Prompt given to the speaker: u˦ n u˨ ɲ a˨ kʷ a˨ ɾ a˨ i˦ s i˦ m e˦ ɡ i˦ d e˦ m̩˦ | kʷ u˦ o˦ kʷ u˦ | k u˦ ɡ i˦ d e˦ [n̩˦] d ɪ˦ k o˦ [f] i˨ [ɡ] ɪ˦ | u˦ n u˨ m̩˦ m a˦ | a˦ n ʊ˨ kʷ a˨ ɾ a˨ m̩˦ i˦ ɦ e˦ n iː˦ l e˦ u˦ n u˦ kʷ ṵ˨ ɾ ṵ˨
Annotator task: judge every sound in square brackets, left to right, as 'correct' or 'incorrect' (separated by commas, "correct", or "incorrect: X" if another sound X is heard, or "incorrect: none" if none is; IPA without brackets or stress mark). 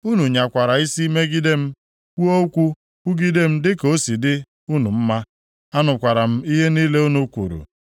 incorrect: m̩˦, incorrect: s, incorrect: d